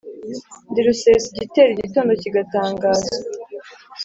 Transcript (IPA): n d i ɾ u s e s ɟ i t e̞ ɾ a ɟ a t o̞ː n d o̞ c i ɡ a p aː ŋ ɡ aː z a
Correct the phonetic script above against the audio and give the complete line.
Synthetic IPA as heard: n d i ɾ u s e s ɟ i t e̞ ɾ i ɟ i t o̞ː n d o̞ c i ɡ a t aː ŋ ɡ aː z a